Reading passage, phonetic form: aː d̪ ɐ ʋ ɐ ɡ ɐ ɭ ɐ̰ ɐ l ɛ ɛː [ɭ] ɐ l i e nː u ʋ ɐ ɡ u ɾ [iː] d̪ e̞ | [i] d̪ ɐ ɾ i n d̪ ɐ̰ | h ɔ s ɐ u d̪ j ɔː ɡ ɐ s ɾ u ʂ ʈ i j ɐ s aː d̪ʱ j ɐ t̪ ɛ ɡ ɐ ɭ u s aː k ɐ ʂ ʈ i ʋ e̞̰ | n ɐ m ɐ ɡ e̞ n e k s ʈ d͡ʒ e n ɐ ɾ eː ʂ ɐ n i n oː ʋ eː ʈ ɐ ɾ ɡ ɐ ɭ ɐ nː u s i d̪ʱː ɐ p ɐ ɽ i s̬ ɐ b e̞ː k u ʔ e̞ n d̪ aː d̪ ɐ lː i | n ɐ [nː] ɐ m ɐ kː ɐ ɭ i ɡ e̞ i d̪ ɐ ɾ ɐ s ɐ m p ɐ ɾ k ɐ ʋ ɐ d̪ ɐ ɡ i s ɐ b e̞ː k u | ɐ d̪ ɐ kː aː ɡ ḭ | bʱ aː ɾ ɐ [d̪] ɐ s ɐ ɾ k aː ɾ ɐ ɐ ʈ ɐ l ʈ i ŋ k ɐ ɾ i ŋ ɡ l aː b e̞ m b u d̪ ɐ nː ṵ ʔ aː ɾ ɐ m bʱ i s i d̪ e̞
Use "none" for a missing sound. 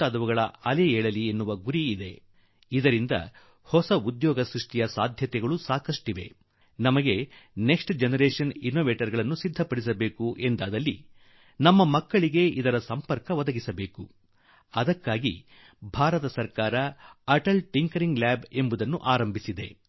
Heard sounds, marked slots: ɭ, iː, i, mː, t̪

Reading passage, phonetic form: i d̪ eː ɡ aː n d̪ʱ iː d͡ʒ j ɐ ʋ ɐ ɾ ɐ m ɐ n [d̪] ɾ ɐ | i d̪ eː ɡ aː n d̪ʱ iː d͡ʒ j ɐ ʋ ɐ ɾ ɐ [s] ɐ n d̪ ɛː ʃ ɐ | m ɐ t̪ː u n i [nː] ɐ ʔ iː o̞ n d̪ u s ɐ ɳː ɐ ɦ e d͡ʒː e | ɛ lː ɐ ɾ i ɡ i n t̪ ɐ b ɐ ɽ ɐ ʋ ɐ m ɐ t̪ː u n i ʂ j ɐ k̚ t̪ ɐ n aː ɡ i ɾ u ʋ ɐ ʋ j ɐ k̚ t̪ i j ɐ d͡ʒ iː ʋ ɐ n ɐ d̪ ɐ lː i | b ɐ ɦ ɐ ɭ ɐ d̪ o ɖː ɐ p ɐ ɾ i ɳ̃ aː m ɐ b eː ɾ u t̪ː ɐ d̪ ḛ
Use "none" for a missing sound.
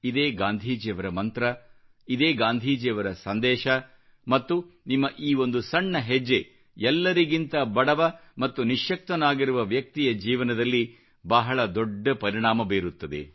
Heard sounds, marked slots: t̪, s, mː

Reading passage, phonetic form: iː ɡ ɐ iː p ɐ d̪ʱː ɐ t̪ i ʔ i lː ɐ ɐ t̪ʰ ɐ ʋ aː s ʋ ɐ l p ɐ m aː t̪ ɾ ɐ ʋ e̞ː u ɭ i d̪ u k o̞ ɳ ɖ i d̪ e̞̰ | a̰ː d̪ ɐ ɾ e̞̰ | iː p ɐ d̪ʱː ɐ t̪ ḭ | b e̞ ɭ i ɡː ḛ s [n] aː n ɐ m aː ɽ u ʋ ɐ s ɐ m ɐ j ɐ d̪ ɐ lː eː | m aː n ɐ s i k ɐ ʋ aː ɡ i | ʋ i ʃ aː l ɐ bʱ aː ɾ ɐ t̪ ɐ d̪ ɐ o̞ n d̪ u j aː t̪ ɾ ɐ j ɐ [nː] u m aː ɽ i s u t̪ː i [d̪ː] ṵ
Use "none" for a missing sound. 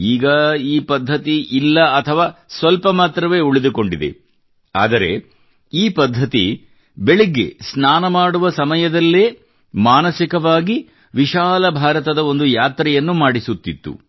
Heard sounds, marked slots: n, nː, t̪ː

